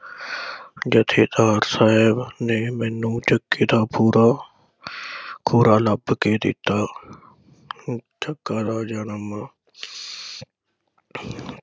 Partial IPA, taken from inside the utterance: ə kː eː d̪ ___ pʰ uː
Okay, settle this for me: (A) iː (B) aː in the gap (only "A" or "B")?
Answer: B